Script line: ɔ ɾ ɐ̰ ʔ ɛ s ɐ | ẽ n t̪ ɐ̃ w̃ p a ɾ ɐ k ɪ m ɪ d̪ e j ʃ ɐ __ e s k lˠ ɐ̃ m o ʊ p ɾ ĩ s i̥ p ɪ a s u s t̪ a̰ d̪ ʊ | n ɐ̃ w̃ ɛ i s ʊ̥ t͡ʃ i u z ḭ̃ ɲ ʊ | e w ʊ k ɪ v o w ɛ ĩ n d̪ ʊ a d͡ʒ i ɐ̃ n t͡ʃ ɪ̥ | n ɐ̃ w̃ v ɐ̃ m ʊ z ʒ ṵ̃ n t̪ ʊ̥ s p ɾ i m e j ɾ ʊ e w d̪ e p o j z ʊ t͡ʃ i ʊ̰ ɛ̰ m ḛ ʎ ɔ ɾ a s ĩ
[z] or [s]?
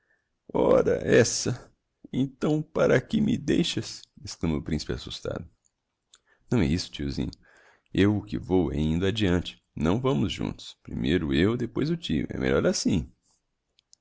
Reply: s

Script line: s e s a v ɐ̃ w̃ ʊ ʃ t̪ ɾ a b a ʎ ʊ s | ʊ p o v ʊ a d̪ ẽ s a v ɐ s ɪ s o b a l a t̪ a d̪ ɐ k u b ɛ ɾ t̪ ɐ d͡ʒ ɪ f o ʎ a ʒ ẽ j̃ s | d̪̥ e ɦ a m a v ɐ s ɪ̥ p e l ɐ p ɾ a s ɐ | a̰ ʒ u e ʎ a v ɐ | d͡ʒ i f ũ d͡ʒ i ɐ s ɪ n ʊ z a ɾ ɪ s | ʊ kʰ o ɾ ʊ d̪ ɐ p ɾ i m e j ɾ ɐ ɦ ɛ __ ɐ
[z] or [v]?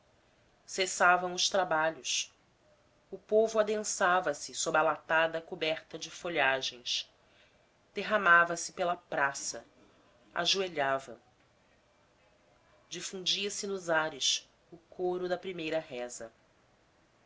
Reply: z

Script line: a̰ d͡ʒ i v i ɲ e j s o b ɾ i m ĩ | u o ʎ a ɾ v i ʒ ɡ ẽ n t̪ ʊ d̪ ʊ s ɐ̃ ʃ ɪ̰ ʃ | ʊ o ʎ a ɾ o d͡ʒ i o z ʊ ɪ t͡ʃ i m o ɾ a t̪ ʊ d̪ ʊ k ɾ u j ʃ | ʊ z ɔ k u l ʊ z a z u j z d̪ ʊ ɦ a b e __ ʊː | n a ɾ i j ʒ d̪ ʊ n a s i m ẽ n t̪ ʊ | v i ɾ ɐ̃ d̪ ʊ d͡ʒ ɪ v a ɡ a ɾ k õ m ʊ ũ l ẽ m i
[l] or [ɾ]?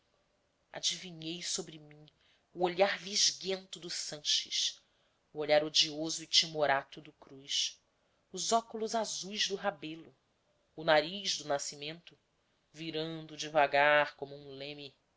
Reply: l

